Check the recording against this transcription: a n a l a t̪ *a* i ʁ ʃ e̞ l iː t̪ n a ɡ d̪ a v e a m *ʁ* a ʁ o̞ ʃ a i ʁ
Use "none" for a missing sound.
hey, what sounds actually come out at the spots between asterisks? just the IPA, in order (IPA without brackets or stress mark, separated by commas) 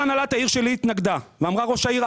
a, ʁ